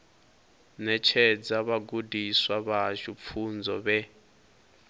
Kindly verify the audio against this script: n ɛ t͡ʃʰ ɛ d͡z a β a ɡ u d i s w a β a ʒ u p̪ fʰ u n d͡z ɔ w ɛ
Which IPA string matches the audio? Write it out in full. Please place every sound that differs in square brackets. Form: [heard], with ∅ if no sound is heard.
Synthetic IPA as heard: n ɛ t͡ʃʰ ɛ d͡z a β a ɡ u d i s w a β a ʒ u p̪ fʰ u n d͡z ɔ [β] ɛ